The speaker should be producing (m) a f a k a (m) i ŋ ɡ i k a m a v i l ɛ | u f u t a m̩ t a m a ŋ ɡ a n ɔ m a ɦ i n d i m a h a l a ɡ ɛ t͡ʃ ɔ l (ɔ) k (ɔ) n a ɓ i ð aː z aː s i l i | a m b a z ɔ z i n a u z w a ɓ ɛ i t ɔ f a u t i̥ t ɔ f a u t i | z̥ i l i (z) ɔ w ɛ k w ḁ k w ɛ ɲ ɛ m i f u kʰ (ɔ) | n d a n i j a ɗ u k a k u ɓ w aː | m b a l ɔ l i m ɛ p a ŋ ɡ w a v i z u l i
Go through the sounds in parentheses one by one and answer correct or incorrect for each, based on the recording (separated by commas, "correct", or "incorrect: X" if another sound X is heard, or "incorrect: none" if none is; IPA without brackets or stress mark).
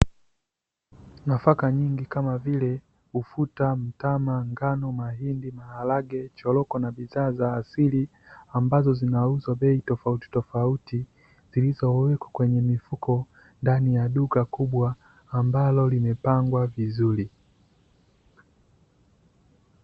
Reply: incorrect: n, incorrect: ɲ, correct, correct, correct, correct